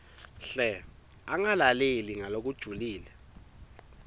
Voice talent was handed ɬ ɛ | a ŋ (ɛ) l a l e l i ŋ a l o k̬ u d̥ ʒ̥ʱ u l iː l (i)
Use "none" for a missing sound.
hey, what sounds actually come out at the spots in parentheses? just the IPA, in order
a, ɛ

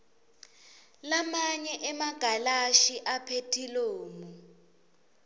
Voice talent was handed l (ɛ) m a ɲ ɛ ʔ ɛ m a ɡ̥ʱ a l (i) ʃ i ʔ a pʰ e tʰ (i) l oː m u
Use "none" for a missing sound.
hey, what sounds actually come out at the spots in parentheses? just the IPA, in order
a, a, i

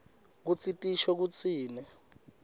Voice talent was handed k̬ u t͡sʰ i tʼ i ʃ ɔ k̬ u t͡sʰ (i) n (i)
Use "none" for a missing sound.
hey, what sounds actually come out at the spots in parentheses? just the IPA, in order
iː, ɛ

